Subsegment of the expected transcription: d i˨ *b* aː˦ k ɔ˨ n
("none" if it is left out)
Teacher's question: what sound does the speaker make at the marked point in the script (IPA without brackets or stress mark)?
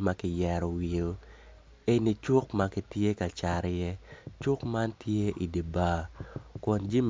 b